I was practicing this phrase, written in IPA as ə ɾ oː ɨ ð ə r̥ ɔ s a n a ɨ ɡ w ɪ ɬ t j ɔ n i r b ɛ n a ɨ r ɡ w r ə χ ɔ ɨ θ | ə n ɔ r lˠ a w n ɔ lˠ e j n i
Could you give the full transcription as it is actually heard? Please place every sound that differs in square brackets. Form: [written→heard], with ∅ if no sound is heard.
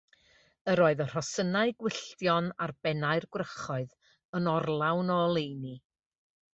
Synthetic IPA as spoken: ə ɾ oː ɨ ð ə r̥ ɔ s [a→ə] n a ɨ ɡ w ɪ ɬ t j ɔ n [i→a] r b ɛ n a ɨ r ɡ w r ə χ ɔ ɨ [θ→ð] | ə n ɔ r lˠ a w n ɔ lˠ e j n i